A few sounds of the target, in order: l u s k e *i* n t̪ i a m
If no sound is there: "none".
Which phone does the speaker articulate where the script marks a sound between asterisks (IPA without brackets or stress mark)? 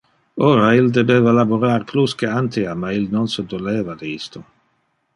a